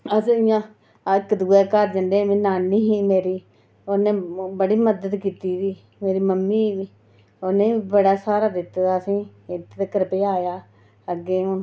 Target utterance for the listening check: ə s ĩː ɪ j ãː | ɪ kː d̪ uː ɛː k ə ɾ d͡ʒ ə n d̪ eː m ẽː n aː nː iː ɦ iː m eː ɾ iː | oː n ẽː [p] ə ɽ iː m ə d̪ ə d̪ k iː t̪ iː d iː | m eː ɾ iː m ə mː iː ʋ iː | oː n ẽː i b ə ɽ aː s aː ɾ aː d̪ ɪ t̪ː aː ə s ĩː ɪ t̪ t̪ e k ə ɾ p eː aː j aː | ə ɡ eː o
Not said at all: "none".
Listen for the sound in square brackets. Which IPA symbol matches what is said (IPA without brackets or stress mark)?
b